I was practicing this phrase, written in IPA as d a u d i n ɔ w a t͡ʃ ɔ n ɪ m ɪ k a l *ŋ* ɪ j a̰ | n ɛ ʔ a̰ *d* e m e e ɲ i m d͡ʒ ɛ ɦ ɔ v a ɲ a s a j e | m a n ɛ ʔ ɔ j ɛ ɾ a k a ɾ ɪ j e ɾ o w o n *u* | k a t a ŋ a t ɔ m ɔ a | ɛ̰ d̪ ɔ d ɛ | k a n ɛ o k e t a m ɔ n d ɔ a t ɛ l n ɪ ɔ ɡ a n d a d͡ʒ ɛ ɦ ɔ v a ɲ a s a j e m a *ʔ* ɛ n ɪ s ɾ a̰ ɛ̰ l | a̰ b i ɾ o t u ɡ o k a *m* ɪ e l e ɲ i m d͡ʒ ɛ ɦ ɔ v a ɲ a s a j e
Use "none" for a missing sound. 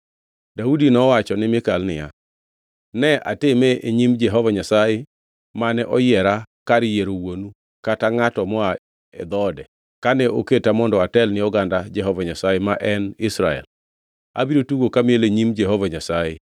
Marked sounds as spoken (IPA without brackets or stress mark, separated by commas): n, t, u, ʔ, m